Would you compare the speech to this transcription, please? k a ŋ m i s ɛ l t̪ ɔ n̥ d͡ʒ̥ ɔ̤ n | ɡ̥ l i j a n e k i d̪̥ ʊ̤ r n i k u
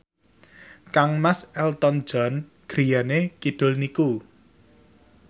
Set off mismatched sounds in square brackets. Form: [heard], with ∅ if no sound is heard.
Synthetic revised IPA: k a ŋ m [a] s ɛ l t̪ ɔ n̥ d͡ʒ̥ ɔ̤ n | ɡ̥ [ɾ] i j a n e k i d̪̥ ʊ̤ [l] n i k u